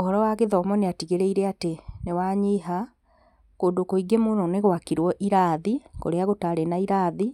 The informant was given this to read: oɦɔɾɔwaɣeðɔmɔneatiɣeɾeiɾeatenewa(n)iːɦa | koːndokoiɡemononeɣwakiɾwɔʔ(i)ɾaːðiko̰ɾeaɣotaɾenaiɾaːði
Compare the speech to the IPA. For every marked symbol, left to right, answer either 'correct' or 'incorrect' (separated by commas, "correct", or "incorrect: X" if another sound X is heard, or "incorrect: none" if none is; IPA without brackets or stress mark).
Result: incorrect: ɲ, correct